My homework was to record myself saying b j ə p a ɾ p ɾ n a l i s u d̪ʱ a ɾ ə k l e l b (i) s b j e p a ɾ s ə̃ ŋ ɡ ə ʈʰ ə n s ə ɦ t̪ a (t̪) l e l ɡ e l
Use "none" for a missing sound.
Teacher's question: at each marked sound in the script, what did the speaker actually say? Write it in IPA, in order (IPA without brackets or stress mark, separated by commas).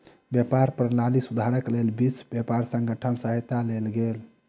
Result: i, none